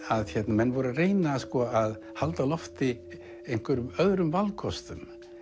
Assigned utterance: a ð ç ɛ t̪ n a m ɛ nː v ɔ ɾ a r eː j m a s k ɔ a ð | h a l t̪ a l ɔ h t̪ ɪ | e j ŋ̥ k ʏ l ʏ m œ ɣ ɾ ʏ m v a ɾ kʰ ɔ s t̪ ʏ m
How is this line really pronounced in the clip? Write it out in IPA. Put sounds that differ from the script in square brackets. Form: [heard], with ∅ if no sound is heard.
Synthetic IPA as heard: a ð ç ɛ t̪ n a m ɛ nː v ɔ ɾ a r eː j [n] a s k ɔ a ð | h a l t̪ a l ɔ [f] t̪ ɪ | e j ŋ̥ k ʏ [ɾ] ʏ m œ [ð] ɾ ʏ m v a [l] kʰ ɔ s t̪ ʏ m